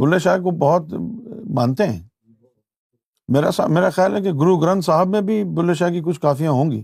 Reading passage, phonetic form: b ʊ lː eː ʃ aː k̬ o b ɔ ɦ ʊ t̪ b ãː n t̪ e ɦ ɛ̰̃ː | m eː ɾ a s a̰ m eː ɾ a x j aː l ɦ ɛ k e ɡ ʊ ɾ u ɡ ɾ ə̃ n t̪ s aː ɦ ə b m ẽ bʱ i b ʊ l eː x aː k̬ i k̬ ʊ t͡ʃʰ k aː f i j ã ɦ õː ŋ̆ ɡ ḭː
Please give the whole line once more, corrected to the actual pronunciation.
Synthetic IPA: b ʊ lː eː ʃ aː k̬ o b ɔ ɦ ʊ t̪ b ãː n t̪ e ɦ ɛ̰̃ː | m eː ɾ a s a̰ m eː ɾ a x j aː l ɦ ɛ k e ɡ ʊ ɾ u ɡ ɾ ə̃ n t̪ s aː ɦ ə b m ẽ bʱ i b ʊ l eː ʃ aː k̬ i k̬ ʊ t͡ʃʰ k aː f i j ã ɦ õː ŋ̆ ɡ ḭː